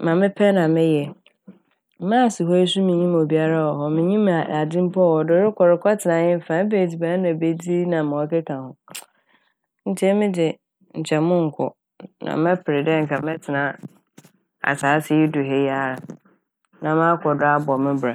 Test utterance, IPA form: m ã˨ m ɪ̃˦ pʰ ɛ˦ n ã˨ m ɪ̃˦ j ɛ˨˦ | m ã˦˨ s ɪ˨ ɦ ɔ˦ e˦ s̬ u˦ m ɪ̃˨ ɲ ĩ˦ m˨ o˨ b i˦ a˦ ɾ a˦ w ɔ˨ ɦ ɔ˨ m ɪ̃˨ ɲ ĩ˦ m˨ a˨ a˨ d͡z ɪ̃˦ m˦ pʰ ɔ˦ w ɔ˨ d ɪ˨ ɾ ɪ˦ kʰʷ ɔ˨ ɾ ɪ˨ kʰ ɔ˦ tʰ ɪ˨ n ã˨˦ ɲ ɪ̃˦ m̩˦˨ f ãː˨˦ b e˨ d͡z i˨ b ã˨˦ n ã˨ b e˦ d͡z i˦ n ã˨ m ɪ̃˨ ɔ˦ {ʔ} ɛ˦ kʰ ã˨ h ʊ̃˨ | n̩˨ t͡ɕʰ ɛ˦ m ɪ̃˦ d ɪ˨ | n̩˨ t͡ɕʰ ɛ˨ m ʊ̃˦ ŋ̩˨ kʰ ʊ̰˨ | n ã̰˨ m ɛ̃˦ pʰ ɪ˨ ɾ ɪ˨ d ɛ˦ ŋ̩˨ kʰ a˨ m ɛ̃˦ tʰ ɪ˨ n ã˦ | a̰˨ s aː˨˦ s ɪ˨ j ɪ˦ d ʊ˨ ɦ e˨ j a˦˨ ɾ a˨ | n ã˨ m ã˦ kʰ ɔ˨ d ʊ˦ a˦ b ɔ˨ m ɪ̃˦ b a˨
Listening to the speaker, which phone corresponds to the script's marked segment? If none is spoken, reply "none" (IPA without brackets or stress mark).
k